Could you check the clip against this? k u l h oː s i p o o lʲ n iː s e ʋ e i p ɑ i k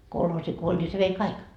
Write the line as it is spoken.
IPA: k o l h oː s i k o o lʲ n i s e ʋ e i k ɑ i k